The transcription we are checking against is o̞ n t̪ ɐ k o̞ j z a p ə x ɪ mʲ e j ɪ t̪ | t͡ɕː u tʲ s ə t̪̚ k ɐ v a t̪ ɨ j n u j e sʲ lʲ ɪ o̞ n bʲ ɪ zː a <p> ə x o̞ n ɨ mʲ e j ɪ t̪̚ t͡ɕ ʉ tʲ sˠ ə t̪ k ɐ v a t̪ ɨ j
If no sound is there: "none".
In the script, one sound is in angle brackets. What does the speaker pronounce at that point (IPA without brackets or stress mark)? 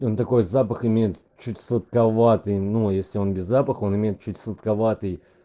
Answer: p